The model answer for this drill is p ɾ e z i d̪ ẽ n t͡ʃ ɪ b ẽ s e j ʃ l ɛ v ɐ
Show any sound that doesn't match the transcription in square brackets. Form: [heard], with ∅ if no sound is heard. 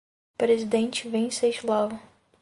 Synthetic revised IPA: p ɾ e z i d̪ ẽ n t͡ʃ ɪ [v] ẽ s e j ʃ l [a] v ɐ

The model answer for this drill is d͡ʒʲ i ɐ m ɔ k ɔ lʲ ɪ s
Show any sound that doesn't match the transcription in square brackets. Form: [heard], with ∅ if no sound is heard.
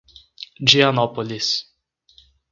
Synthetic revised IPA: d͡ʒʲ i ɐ [n] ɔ [p] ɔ lʲ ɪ s

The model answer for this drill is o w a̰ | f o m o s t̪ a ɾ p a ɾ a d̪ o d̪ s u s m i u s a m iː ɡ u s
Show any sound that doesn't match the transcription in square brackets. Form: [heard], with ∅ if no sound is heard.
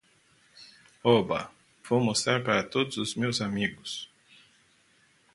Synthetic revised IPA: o [b] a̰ | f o m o s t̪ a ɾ p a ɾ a [t̪] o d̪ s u s m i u s a m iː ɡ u s

